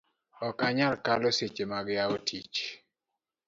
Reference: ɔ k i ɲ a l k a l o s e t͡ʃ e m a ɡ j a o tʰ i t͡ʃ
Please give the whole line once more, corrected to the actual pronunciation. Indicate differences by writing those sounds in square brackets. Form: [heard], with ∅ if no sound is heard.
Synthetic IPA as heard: ɔ k [a] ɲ a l k a l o s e t͡ʃ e m a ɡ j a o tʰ i t͡ʃ